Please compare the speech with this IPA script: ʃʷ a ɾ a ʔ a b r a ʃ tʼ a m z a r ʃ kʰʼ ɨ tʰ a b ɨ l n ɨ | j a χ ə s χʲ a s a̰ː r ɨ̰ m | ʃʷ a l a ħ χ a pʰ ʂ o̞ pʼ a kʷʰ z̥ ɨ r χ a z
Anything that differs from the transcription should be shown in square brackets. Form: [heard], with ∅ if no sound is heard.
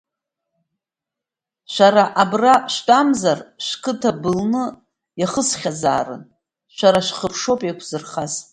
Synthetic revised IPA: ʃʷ a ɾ a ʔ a b r a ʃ tʼ a m z a r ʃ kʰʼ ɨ tʰ a b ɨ l n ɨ | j a χ ə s χʲ a [z] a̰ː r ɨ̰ [n] | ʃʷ a [ɾ] a [ʃ] χ [ə] pʰ ʂ o̞ pʼ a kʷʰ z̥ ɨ r χ a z